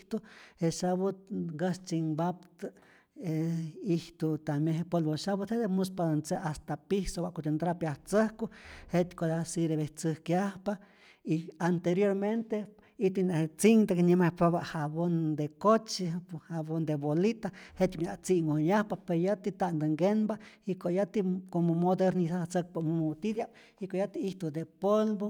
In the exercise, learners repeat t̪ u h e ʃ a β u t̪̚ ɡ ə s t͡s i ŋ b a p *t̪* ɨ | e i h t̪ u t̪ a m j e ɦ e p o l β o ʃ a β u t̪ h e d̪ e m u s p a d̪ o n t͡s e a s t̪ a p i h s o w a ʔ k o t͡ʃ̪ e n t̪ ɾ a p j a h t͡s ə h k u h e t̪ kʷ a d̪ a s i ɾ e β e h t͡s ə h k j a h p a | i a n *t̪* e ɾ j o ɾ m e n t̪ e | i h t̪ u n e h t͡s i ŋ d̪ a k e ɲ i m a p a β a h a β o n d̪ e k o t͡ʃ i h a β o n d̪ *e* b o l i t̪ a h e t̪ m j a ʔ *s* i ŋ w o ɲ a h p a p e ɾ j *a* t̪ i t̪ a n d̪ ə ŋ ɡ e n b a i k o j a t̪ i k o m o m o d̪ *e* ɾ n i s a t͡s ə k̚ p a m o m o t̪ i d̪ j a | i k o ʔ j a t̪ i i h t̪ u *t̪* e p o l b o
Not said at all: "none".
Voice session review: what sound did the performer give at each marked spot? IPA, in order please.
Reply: t̪, t̪, e, t͡s, a, e, d̪

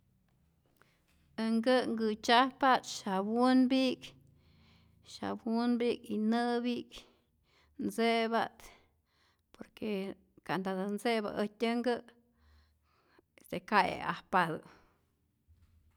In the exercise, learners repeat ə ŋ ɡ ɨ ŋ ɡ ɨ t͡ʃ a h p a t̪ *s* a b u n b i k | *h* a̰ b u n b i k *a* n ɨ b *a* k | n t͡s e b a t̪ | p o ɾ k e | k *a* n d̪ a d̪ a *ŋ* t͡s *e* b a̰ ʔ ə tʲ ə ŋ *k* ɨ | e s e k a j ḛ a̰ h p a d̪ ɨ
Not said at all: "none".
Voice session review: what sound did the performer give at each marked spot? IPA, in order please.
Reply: ʃ, ʃ, i, i, a, n, e, ɡ

